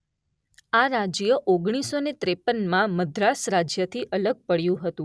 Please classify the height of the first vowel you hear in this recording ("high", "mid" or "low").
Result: low